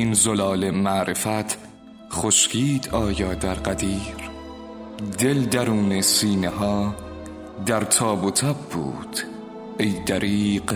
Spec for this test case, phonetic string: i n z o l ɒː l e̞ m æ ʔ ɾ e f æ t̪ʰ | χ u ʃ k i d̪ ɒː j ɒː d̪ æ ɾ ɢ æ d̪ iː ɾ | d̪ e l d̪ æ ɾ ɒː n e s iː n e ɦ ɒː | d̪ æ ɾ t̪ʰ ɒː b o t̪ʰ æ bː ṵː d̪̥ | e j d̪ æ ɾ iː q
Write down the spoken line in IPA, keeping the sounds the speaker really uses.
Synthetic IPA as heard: i n z o l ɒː l e̞ m æ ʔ ɾ e f æ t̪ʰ | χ o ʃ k iː d̪ ɒː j ɒː d̪ æ ɾ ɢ æ d̪ iː ɾ | d̪ e l d̪ æ ɾ uː n e s iː n e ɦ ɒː | d̪ æ ɾ t̪ʰ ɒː b o t̪ʰ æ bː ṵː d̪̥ | e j d̪ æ ɾ iː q